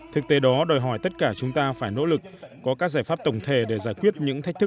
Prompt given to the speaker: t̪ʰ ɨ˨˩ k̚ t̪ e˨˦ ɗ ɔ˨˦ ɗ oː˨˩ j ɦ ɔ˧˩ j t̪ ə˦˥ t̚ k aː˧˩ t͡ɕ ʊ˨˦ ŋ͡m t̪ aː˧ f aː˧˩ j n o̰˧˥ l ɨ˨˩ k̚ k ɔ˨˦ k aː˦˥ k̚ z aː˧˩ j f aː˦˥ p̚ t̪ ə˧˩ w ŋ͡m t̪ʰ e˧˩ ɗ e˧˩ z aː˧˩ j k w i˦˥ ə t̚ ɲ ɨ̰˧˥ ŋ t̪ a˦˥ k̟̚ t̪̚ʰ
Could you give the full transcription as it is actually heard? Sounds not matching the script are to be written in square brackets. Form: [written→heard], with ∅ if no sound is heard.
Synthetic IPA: t̪ʰ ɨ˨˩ k̚ t̪ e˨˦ ɗ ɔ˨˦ ɗ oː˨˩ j ɦ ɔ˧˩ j t̪ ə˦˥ t̚ k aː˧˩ t͡ɕ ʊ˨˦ ŋ͡m t̪ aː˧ f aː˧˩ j n o̰˧˥ l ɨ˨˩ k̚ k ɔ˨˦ k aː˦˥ k̚ z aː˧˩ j f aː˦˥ p̚ t̪ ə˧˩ w ŋ͡m t̪ʰ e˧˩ ɗ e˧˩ z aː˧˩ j k w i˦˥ ə t̚ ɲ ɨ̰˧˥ ŋ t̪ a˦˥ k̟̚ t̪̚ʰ